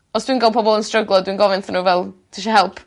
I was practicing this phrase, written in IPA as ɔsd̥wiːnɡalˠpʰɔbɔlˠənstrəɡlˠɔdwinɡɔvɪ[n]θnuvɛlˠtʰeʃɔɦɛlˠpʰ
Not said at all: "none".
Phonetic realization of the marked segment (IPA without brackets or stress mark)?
n